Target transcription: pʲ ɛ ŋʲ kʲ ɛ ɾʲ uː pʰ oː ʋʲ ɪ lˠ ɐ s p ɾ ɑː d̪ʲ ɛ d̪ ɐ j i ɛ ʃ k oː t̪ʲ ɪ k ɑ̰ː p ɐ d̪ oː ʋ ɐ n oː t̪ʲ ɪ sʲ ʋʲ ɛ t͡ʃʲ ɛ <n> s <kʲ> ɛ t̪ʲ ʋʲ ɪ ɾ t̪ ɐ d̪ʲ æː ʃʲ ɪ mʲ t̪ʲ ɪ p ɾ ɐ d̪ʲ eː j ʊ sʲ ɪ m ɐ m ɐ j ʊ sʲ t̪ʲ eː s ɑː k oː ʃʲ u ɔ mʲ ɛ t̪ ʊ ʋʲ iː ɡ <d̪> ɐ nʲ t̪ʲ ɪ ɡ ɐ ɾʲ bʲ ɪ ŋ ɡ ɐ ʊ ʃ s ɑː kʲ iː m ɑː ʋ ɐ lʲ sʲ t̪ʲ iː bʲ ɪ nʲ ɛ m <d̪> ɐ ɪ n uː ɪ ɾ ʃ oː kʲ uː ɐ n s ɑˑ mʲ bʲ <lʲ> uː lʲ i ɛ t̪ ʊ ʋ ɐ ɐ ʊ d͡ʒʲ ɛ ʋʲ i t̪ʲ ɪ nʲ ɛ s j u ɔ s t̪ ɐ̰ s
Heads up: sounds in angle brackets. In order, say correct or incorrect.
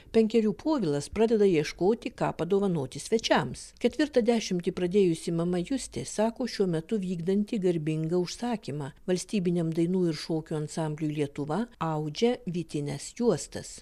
incorrect: m, correct, correct, correct, correct

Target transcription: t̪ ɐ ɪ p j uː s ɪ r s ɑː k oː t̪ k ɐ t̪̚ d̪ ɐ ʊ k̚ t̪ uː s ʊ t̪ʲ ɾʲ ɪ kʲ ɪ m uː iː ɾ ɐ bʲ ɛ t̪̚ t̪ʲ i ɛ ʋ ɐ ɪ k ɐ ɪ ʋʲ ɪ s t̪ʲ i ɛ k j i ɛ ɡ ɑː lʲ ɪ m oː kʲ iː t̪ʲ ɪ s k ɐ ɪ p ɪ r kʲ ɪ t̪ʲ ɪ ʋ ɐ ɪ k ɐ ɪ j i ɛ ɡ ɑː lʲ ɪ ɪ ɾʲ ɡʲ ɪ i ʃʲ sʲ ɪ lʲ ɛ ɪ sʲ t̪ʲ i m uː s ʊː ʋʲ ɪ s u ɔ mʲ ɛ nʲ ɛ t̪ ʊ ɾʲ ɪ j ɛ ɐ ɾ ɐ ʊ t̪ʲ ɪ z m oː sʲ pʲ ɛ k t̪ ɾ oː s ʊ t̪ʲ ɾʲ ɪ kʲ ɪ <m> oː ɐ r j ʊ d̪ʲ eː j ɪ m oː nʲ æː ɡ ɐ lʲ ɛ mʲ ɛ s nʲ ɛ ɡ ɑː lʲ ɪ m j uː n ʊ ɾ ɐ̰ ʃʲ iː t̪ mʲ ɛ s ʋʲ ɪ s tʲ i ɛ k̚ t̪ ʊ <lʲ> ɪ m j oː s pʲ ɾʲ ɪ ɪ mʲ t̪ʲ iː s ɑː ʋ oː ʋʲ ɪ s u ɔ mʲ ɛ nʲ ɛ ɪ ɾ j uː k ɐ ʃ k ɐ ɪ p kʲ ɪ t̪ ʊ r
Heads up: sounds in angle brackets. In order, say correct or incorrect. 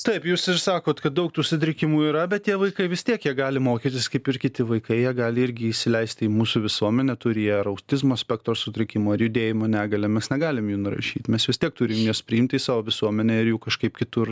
correct, incorrect: ɾʲ

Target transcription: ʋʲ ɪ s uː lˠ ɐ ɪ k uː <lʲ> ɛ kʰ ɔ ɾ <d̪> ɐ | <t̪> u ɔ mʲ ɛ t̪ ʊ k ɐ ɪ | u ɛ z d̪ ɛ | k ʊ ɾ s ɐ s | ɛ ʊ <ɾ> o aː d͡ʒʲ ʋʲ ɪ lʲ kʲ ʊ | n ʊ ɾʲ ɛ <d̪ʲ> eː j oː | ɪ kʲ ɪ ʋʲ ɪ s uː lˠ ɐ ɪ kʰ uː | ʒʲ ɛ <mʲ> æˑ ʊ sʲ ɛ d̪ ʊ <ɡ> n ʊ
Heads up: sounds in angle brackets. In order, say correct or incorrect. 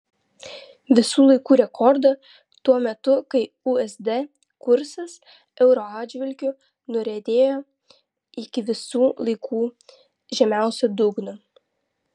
incorrect: ɾʲ, correct, correct, correct, correct, correct, correct

